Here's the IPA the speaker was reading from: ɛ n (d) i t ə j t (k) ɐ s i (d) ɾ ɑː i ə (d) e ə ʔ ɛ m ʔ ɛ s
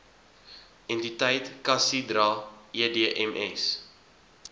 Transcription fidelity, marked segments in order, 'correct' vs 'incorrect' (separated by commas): incorrect, correct, correct, correct